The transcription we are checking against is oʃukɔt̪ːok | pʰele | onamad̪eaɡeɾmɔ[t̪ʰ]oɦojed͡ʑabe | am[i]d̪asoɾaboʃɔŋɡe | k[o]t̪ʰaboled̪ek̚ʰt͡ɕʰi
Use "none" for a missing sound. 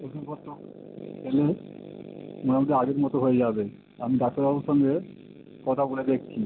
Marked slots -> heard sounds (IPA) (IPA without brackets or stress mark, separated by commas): t̪, i, ɔ